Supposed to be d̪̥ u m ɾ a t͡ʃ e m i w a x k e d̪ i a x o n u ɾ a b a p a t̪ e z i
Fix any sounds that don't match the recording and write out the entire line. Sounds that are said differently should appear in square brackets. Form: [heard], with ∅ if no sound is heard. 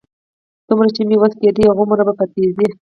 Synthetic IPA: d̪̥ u m ɾ a t͡ʃ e m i w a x k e d̪ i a [ɣ] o [m] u ɾ a b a p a t̪ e z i